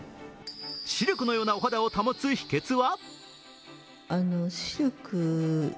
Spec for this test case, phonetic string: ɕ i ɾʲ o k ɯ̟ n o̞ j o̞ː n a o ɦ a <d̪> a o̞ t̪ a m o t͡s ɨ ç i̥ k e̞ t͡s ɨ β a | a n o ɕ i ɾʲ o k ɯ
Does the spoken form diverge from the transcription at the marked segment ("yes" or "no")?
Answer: no